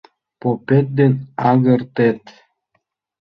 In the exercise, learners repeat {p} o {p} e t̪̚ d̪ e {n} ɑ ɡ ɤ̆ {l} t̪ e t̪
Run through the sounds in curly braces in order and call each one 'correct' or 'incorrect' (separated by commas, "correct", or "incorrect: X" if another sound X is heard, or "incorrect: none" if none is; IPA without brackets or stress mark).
correct, correct, correct, incorrect: r